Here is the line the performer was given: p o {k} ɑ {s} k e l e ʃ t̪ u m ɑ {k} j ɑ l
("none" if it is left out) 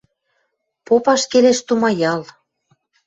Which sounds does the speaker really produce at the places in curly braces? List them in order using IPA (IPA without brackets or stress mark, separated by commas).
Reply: p, ʃ, none